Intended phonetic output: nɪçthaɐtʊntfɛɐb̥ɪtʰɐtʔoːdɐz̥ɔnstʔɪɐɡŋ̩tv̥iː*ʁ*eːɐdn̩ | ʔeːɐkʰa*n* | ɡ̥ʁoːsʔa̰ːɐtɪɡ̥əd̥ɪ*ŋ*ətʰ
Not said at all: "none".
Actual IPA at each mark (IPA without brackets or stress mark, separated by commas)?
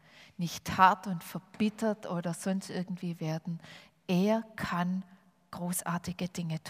v, n, ŋ